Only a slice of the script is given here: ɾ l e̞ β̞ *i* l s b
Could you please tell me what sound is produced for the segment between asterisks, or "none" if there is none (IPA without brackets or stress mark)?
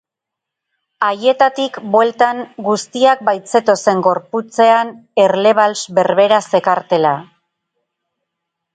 a